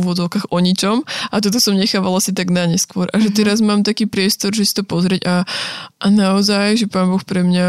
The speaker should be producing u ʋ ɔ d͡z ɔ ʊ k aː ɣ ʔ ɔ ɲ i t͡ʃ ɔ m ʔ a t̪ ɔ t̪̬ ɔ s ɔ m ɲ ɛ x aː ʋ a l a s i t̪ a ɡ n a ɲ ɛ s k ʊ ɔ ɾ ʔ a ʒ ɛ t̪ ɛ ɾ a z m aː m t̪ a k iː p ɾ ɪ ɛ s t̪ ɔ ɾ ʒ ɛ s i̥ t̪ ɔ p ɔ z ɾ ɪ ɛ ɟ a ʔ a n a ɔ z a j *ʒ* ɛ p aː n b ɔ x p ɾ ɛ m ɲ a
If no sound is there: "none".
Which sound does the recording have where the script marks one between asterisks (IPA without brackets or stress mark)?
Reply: ʒ